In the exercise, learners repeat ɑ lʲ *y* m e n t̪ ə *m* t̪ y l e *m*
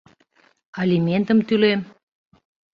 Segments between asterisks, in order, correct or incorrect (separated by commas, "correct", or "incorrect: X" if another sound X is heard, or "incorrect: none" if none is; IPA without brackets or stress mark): incorrect: i, correct, correct